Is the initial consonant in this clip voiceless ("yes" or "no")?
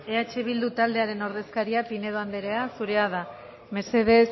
yes